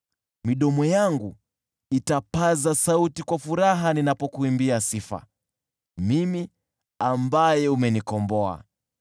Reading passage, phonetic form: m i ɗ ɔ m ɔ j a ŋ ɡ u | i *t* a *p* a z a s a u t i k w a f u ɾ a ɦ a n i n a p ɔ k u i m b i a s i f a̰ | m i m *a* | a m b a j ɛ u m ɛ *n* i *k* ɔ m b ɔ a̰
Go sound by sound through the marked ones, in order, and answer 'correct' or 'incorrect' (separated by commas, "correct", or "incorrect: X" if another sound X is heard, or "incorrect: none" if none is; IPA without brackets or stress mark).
correct, correct, incorrect: i, correct, correct